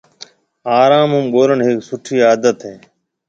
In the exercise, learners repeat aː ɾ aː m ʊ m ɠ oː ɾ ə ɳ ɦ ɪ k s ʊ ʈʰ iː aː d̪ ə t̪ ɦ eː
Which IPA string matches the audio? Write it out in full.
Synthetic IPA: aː ɾ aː m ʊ m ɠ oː ɾ ə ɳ ɦ ɪ k s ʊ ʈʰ iː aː d̪ ə t̪ ɦ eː